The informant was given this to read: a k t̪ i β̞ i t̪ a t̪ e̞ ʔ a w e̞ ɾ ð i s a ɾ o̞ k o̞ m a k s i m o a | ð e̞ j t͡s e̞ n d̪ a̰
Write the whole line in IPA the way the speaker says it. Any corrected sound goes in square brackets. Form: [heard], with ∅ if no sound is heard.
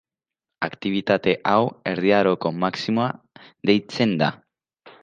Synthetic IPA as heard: a k t̪ i β̞ i t̪ a t̪ e̞ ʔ a w e̞ ɾ ð i [∅] a ɾ o̞ k o̞ m a k s i m o a | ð e̞ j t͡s e̞ n d̪ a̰